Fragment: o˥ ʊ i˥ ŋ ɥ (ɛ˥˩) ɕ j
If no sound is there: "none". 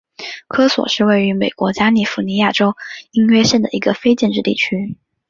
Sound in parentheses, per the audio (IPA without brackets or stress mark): ɛ˥